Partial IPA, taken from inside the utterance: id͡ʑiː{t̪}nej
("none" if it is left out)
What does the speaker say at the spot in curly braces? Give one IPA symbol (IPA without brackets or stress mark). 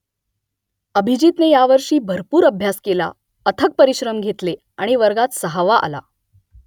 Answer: t̪